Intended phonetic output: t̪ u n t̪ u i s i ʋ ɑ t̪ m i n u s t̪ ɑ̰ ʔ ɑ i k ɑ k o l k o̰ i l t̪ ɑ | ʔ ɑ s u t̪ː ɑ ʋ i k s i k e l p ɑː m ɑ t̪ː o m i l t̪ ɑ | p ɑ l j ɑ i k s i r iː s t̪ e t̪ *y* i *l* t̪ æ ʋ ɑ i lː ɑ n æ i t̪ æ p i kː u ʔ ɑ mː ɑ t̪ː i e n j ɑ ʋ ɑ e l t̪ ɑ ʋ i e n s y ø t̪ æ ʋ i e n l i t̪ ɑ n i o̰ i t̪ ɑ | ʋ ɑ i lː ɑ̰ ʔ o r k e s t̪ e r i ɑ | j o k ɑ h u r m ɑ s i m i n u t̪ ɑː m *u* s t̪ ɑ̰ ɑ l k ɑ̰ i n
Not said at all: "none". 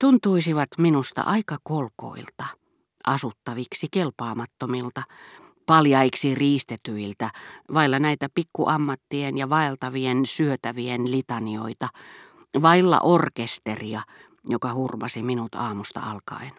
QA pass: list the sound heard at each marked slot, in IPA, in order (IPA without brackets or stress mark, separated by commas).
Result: y, l, u